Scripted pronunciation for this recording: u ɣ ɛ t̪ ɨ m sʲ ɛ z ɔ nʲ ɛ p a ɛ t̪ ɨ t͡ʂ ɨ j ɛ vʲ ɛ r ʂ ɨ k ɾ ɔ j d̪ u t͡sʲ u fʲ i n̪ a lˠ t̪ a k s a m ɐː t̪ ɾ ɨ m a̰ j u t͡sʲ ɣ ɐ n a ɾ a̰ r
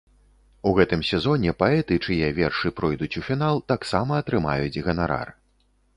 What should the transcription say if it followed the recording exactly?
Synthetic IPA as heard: u ɣ ɛ t̪ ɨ m sʲ ɛ z ɔ nʲ ɛ p a ɛ t̪ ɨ t͡ʂ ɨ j ɛ vʲ ɛ r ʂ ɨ p ɾ ɔ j d̪ u t͡sʲ u fʲ i n̪ a lˠ t̪ a k s a m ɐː t̪ ɾ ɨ m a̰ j u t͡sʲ ɣ ɐ n a ɾ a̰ r